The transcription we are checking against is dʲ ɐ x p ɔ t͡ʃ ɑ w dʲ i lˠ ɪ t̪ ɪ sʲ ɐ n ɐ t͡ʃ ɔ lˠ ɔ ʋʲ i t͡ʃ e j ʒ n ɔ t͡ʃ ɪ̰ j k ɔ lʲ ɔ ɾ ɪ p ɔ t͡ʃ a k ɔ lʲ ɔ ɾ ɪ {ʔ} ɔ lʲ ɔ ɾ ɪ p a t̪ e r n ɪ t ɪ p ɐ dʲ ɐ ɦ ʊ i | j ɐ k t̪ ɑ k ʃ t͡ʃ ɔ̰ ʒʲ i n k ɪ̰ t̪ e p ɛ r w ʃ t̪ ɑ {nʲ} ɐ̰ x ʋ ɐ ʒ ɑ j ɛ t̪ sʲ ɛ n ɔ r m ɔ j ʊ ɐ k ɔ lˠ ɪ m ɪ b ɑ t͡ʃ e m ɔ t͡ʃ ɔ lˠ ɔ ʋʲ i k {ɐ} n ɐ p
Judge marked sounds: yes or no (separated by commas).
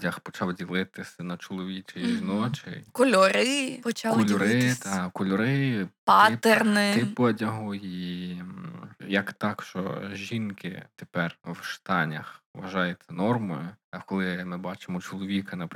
no, yes, yes